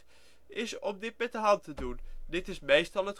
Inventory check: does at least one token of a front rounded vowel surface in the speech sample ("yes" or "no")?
no